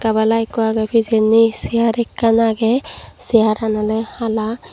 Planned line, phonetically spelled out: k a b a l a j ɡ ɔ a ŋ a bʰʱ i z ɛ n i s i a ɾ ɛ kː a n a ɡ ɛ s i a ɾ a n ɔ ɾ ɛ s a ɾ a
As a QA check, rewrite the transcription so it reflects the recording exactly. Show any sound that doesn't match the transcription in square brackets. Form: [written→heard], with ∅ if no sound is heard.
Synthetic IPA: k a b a l a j [ɡ→k] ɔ a [ŋ→ɡ] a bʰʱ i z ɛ n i s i a ɾ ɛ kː a n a ɡ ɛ s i a ɾ a n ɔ [ɾ→l] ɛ [s→h] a [ɾ→l] a